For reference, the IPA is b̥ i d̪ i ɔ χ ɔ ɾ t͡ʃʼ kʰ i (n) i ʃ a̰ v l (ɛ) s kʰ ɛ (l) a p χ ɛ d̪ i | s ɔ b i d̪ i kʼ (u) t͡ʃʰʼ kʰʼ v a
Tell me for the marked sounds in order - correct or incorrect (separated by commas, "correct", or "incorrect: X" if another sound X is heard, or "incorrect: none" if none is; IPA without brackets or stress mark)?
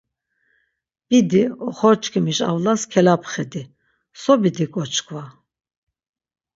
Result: incorrect: m, incorrect: a, correct, incorrect: ɔ